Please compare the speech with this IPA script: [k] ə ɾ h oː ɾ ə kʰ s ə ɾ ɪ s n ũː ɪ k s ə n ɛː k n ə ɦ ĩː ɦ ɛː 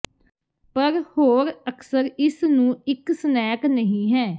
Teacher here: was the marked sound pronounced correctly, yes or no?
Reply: no